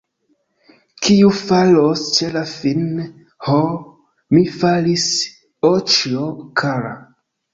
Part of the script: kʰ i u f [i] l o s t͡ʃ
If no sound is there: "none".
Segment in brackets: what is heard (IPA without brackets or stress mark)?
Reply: a